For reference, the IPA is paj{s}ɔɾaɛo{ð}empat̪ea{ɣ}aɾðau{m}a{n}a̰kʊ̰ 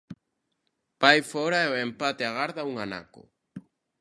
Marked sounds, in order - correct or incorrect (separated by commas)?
incorrect, incorrect, correct, incorrect, correct